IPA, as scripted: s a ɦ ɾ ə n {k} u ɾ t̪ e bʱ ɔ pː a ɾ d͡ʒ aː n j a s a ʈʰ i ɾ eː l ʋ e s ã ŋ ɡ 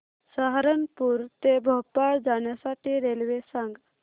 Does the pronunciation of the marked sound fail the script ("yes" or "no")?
yes